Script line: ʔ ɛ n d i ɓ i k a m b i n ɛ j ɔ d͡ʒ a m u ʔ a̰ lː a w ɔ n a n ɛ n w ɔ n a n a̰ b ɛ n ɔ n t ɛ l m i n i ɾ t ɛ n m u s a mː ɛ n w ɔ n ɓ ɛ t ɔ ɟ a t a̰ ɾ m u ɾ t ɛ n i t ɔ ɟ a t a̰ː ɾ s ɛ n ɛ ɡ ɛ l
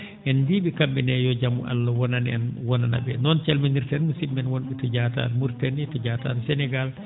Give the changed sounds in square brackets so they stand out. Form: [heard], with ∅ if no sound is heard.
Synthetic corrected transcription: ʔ ɛ n d i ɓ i k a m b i n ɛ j ɔ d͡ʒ a m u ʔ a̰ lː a w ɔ n a n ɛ n w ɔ n a n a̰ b ɛ n ɔ n [t͡ʃ] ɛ l m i n i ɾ t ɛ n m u s [i] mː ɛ n w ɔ n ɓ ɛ t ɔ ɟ a t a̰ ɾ m u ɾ t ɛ n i t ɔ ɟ a t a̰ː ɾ s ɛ n ɛ ɡ [a] l